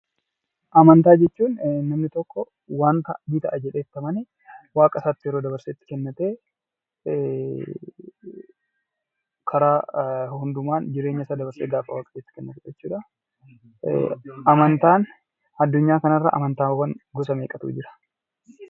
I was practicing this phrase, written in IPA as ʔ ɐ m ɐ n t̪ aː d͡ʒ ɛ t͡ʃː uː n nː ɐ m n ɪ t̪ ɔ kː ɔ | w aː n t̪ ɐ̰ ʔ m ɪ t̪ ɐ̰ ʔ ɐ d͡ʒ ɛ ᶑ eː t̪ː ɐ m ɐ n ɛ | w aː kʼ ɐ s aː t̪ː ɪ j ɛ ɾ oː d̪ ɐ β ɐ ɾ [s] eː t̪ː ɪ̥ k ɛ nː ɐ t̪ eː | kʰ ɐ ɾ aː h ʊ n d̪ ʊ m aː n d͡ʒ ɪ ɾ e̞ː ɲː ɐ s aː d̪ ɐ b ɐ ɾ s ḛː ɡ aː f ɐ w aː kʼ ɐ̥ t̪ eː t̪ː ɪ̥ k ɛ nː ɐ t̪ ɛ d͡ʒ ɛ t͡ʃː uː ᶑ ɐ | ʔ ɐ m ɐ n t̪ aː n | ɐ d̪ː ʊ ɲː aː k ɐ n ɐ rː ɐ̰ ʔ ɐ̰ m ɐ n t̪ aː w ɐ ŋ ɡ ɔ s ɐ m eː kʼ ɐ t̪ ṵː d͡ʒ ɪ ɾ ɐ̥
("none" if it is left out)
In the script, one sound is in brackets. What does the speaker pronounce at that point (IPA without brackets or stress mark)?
s